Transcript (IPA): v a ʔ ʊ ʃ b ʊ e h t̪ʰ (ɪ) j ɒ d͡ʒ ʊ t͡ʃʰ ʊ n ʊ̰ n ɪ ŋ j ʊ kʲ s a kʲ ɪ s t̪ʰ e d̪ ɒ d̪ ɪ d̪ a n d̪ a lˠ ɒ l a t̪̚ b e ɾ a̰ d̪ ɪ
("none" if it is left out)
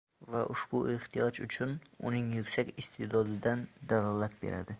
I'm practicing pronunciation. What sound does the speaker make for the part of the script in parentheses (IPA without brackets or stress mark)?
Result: i